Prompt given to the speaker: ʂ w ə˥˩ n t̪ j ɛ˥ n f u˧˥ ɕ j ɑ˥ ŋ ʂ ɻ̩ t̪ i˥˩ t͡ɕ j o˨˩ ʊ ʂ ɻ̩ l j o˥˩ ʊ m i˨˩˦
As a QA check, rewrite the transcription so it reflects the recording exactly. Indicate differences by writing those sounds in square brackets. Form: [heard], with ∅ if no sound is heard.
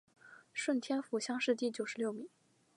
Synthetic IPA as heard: ʂ w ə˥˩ n [t̪ʰ] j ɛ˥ n f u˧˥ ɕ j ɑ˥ ŋ ʂ ɻ̩ t̪ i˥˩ t͡ɕ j o˨˩ ʊ ʂ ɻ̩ l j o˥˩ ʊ m i˨˩˦